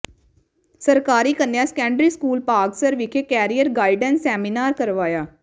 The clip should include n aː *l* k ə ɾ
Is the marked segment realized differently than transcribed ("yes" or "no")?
yes